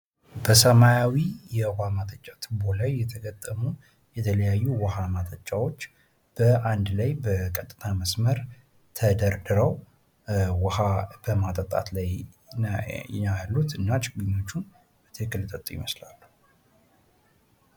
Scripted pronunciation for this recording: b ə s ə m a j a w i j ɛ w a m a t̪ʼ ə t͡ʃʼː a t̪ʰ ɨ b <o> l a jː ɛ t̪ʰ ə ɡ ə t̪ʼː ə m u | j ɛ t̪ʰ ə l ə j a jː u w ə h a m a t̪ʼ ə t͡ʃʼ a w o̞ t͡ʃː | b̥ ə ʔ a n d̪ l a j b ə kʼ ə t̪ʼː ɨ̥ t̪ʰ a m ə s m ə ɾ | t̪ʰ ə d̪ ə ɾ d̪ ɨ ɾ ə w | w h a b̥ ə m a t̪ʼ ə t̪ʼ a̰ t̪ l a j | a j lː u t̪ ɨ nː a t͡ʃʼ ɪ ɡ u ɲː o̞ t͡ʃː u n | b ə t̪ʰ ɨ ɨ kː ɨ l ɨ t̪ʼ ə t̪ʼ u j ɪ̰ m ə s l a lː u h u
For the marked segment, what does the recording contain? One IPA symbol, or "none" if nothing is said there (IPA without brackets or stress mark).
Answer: o